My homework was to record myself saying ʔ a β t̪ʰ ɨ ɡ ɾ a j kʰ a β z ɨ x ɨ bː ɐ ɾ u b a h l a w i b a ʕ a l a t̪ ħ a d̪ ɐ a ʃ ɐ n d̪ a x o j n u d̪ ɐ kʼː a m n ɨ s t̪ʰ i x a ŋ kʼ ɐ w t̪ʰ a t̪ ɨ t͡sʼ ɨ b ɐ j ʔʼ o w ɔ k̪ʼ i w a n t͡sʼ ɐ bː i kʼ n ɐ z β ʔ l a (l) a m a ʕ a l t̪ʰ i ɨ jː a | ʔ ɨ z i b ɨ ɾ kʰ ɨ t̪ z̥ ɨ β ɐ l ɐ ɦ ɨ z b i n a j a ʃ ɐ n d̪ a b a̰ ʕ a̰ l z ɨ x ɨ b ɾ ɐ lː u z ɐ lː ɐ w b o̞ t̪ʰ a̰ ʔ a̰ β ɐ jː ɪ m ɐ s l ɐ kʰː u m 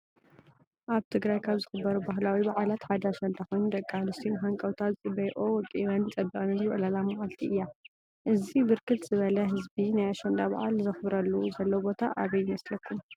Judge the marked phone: correct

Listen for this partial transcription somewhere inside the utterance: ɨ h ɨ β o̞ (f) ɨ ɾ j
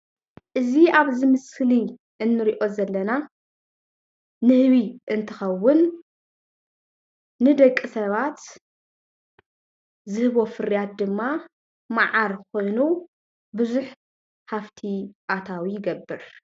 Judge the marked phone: correct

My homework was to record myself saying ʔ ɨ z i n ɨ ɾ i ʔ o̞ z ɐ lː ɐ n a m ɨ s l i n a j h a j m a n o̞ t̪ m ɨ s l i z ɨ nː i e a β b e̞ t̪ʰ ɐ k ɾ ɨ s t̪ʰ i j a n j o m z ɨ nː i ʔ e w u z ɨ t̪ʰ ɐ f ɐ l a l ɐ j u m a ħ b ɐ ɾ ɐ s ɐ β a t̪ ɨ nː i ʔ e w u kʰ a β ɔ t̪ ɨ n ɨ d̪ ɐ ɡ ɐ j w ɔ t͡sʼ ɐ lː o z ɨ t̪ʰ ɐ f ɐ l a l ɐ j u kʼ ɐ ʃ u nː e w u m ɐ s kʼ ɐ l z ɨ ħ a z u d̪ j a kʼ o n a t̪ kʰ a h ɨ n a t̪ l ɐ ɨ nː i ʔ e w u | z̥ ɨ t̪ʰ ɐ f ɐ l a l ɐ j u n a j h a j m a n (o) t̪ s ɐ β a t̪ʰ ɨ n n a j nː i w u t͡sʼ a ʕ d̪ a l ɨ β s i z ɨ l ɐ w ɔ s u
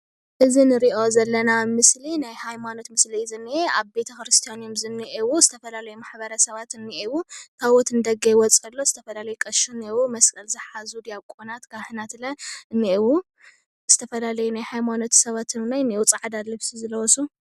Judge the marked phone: correct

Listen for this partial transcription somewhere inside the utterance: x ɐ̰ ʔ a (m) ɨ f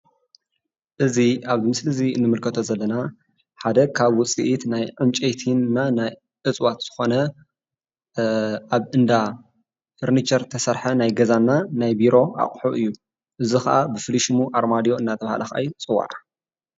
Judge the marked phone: incorrect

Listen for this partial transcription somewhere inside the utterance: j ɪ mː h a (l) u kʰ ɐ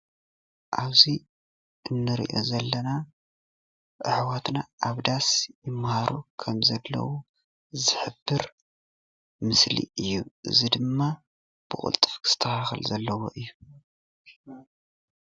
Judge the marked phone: incorrect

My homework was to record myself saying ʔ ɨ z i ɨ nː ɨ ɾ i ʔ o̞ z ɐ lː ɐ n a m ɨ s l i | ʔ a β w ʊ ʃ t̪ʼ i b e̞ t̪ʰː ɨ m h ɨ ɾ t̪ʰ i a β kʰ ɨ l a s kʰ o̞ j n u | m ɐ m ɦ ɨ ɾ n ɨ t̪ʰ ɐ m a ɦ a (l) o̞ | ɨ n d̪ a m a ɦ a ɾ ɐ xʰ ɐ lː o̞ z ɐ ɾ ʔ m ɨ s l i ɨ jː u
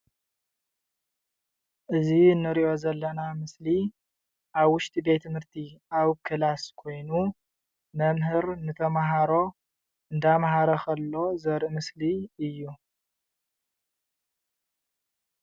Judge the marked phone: incorrect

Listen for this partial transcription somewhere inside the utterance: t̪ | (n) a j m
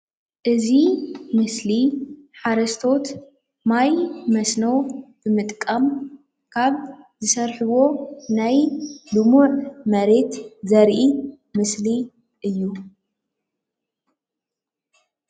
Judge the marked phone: incorrect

